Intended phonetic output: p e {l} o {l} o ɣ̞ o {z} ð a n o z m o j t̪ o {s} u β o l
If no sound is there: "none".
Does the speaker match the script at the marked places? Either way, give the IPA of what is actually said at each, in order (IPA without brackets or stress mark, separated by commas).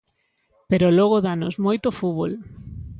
ɾ, l, none, f